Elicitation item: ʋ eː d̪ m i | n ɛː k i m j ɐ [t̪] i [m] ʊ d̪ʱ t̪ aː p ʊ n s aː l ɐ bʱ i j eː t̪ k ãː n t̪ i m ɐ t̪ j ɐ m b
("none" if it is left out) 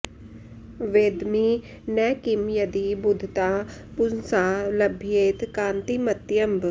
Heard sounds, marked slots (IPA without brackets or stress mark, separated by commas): d̪, b